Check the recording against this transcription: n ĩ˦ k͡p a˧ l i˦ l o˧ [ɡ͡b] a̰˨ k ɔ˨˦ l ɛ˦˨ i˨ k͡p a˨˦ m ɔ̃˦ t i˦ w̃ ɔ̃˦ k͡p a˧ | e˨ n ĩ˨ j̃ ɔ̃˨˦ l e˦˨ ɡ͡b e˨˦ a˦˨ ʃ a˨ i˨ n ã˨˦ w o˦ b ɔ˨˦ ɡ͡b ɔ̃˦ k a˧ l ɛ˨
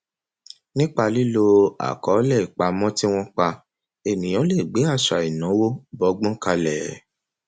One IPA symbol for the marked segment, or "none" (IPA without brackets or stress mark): none